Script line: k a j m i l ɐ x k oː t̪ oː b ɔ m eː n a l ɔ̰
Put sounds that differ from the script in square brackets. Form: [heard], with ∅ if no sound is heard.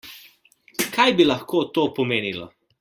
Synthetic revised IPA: k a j [b] i l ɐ x k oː t̪ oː [p] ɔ m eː n [i] l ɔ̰